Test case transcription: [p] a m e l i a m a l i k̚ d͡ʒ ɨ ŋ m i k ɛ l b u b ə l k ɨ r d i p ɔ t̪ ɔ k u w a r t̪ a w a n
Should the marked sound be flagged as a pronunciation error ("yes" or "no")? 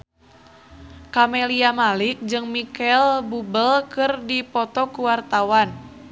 yes